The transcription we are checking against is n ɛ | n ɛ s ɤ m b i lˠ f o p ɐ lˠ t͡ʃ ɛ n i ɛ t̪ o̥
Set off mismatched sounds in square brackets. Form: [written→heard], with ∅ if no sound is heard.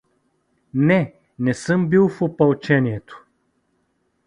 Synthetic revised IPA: n ɛ | n ɛ s ɤ m b i lˠ f o p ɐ lˠ t͡ʃ ɛ n i ɛ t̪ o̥